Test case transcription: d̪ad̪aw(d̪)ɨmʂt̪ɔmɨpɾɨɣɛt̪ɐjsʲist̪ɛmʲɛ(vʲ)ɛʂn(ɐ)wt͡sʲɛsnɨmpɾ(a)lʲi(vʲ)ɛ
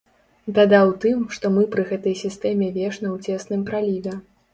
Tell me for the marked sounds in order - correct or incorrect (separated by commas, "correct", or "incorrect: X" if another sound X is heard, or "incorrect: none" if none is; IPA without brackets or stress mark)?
incorrect: t̪, correct, correct, correct, correct